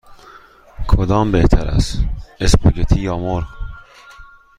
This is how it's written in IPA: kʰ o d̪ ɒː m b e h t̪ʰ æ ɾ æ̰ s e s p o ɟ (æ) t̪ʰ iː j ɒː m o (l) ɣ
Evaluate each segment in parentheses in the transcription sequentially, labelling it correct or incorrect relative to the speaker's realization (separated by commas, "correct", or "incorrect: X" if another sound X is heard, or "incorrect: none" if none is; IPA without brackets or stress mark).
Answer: incorrect: e, incorrect: ɾ